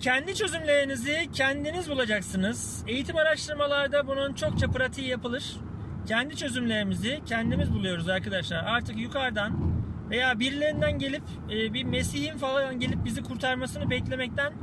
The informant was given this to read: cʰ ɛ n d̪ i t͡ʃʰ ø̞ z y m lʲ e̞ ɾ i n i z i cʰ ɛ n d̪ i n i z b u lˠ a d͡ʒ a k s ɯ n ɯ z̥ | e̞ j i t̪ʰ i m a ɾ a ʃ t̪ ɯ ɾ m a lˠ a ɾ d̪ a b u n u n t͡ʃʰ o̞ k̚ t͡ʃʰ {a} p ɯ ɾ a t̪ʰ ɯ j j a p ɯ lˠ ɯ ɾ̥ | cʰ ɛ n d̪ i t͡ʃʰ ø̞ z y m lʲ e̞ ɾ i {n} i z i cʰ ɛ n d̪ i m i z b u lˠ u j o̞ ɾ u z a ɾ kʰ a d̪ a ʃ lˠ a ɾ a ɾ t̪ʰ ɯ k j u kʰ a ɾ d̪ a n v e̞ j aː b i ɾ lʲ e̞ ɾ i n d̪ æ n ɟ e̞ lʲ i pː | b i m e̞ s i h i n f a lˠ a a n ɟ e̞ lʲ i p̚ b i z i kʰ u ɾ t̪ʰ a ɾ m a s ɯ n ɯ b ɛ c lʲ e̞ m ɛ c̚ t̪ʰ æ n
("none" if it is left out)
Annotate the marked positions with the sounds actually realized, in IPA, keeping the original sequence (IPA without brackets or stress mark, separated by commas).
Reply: a, m